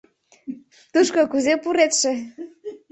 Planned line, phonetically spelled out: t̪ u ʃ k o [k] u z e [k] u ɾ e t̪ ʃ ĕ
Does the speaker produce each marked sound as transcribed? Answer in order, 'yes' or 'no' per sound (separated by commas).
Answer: yes, no